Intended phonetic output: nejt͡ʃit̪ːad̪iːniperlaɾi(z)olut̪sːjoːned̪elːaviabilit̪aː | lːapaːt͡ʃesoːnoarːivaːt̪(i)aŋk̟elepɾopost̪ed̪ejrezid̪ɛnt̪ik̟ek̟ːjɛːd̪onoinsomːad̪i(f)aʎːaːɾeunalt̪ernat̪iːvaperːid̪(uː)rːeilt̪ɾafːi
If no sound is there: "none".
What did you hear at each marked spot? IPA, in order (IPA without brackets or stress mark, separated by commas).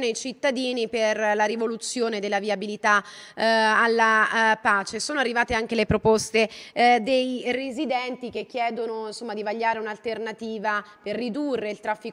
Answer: v, e, v, u